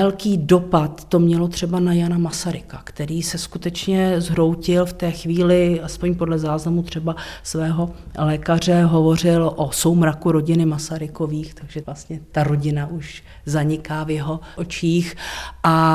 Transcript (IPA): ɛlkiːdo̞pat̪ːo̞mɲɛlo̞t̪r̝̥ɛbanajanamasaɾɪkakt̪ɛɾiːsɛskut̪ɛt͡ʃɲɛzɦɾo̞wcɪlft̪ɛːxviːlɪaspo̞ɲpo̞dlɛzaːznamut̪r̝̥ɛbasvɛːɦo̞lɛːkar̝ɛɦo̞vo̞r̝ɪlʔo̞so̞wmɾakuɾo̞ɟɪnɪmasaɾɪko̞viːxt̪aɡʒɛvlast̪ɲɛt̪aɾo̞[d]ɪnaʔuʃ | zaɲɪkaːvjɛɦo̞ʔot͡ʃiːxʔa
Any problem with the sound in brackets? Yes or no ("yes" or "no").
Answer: yes